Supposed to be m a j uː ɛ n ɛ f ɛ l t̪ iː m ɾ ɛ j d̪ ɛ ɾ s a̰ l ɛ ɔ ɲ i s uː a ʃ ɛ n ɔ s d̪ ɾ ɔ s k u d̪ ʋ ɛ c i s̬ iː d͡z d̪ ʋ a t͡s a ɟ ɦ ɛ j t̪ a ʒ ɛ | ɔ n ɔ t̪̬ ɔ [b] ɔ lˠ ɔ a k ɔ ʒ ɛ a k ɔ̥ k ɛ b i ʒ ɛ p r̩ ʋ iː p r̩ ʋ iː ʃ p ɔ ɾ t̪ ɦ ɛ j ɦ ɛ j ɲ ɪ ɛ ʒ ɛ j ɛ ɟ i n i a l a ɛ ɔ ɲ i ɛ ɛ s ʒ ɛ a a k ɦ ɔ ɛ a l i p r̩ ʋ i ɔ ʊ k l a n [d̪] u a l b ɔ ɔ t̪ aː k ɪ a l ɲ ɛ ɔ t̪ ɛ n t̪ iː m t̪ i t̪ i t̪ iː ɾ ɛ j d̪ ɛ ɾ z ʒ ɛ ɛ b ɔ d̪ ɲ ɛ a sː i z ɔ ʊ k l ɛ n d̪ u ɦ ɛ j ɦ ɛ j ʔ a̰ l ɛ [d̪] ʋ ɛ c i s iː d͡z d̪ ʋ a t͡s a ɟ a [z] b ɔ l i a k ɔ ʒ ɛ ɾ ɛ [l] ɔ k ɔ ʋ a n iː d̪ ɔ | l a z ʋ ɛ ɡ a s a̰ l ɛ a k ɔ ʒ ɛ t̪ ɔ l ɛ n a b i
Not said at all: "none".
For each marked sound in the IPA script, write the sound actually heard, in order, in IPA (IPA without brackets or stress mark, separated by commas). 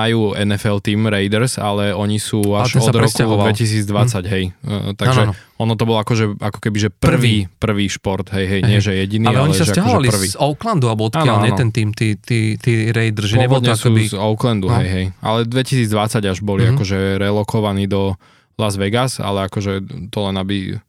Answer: b, d̪, d̪, ʒ, l